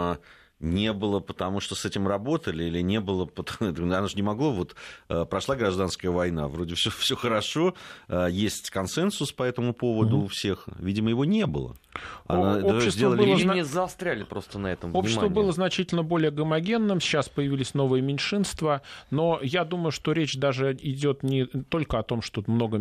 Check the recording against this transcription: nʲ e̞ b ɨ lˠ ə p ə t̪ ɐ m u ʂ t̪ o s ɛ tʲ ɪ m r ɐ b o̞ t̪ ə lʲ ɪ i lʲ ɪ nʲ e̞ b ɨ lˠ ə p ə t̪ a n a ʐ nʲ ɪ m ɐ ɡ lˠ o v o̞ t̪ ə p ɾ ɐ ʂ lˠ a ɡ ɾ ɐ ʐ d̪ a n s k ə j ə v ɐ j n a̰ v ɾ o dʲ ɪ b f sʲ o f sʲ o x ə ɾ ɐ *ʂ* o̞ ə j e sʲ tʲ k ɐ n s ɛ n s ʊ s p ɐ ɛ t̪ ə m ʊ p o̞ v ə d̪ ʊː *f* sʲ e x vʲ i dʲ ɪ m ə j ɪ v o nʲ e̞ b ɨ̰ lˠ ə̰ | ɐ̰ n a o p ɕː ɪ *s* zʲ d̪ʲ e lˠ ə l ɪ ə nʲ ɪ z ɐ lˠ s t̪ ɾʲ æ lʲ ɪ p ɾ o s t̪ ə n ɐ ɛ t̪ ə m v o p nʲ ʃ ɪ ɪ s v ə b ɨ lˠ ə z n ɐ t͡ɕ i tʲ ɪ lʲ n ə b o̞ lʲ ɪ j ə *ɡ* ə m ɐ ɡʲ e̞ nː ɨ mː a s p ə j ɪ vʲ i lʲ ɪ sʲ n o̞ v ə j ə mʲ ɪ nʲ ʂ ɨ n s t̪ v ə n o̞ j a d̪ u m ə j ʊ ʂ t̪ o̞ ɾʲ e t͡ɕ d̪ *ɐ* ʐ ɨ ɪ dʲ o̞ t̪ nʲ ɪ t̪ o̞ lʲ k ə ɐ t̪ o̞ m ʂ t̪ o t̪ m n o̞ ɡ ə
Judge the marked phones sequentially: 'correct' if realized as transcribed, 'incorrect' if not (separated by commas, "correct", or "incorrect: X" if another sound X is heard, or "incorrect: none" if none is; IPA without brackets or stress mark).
correct, correct, correct, correct, incorrect: a